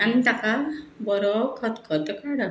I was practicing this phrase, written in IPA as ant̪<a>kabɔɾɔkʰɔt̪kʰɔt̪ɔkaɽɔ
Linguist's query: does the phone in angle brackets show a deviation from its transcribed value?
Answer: no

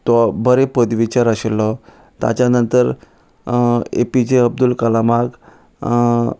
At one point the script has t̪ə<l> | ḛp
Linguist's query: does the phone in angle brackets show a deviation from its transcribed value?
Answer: yes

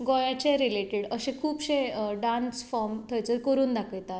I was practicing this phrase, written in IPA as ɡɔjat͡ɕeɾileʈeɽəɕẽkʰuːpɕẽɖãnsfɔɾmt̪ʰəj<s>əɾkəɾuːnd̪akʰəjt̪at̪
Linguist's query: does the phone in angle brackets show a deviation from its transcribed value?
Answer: yes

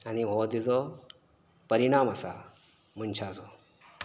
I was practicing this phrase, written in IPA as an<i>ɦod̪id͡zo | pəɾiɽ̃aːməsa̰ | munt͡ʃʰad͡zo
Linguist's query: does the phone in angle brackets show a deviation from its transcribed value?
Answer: no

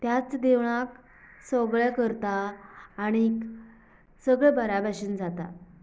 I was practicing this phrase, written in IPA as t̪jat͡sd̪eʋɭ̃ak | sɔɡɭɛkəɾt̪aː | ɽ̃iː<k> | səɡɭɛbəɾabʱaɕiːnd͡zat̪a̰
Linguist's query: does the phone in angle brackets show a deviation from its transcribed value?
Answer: no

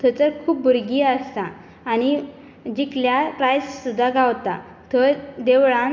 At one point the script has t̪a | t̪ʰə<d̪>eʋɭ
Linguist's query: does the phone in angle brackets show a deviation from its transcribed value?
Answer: no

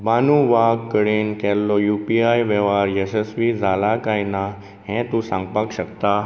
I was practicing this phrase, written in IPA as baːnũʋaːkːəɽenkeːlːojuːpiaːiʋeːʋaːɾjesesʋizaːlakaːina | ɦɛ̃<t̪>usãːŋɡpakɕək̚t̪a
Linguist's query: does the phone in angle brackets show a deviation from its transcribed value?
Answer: no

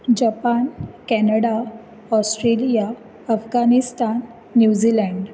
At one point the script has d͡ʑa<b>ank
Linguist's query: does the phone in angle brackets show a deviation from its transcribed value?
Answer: yes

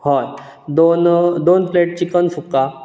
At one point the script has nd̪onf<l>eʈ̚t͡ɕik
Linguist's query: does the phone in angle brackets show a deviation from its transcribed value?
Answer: no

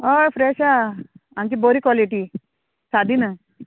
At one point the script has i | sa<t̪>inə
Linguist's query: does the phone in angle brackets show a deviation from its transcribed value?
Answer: yes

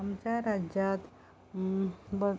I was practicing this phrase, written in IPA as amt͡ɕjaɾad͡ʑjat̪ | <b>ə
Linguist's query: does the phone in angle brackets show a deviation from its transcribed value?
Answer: no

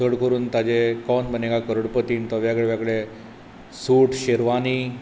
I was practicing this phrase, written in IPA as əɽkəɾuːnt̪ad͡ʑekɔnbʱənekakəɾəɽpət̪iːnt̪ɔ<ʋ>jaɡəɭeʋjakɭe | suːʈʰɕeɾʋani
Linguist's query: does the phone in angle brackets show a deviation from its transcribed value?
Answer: no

